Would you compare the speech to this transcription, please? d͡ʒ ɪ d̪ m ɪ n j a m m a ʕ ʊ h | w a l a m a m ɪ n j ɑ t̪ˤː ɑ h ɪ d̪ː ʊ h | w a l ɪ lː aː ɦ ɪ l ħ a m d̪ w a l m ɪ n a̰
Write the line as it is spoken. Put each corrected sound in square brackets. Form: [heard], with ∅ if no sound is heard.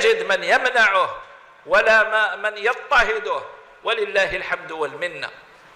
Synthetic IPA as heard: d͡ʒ ɪ d̪ m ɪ n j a m [n] a ʕ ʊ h | w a l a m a m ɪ n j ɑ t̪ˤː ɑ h ɪ [d̪] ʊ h | w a l ɪ lː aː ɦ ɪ l ħ a m d̪ w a l m ɪ [nː] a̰

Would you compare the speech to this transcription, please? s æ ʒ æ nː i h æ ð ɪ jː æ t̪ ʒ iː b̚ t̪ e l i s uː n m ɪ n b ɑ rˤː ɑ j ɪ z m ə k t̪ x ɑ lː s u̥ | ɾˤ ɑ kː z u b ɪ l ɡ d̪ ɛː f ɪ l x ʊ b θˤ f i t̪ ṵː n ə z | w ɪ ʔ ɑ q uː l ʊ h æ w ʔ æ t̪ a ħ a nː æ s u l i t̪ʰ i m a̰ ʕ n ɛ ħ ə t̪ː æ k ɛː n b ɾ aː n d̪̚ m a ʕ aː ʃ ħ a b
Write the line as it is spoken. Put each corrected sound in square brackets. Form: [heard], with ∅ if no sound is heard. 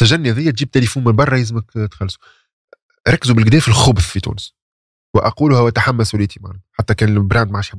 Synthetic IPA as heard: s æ ʒ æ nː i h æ ð ɪ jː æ t̪ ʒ iː b̚ t̪ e l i [f] uː n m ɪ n b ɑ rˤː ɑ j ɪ z m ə k t̪ x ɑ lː s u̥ | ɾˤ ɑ kː z u b ɪ l ɡ d̪ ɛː f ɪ l x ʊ b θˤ f i t̪ ṵː n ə [s] | w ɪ ʔ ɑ q uː l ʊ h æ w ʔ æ t̪ a ħ a [mː] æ s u l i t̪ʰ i m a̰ ʕ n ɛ ħ [a] t̪ː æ k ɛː n b ɾ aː n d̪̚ m a ʕ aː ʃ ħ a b

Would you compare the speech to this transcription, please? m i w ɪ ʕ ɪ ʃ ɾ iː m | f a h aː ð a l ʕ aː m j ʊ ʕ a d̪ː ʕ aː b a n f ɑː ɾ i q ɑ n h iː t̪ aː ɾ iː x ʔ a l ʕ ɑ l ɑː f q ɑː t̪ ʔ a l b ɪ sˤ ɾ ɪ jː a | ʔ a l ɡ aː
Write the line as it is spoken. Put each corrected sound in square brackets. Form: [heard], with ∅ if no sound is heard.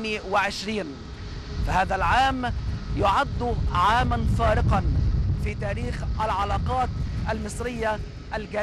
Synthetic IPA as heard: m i w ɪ ʕ ɪ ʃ ɾ iː [n] | f a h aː ð a l ʕ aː m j ʊ ʕ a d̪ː ʕ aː [m] a n f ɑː ɾ [ɪ] q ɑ n [f] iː t̪ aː ɾ iː x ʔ a l ʕ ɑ l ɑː [∅] q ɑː t̪ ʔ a l [m] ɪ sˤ ɾ ɪ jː a | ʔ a l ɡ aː

